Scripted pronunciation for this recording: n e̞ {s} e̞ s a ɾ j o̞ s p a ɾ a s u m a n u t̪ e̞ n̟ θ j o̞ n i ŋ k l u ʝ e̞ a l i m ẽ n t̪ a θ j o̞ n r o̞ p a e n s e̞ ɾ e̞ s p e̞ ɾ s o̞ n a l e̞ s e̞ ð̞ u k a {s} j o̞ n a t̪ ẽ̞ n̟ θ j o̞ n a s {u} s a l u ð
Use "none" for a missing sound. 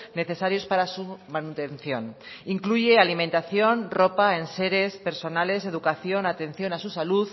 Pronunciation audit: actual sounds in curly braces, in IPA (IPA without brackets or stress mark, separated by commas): θ, θ, u